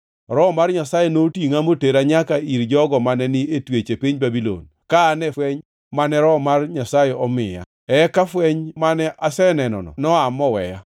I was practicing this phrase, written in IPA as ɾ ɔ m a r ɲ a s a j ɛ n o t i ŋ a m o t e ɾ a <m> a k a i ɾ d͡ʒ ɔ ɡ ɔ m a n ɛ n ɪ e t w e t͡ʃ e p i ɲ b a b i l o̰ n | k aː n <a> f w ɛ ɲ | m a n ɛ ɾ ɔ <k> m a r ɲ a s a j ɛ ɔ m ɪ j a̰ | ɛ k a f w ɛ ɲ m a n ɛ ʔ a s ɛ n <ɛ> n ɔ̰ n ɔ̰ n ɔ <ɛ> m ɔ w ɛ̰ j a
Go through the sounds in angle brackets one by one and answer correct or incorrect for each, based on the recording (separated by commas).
incorrect, incorrect, incorrect, correct, incorrect